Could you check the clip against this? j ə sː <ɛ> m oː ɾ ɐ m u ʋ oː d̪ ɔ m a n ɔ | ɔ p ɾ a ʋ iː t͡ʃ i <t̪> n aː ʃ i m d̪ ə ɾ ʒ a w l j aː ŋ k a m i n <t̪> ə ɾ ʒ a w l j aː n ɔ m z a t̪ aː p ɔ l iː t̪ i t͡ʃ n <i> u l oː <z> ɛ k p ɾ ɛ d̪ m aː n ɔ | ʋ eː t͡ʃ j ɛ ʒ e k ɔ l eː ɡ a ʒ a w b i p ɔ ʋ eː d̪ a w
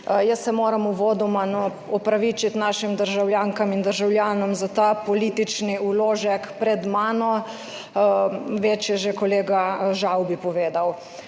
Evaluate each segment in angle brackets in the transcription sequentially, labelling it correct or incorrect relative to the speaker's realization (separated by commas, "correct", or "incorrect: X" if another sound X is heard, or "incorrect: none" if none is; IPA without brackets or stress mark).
correct, correct, incorrect: d̪, correct, incorrect: ʒ